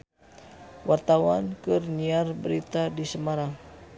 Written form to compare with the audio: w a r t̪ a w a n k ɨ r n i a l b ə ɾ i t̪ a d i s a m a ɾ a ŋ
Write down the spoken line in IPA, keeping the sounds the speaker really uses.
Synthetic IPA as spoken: w a r t̪ a w a n k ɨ r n i a r b ə ɾ i t̪ a d i s ə m a ɾ a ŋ